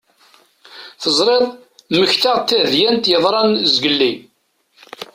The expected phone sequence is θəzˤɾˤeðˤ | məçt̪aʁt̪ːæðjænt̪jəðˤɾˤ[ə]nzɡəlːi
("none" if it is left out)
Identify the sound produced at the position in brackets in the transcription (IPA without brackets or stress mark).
ɑ